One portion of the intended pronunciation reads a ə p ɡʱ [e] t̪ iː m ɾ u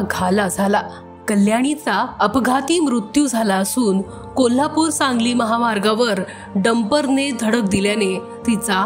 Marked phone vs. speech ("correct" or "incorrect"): incorrect